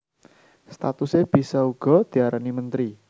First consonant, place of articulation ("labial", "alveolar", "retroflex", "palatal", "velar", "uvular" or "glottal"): alveolar